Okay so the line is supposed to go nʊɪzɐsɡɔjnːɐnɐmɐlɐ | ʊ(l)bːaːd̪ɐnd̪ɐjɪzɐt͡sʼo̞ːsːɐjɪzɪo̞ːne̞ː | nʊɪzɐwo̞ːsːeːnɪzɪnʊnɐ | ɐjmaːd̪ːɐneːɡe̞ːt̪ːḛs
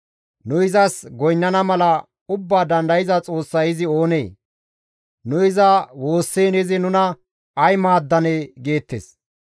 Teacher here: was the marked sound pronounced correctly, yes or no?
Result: no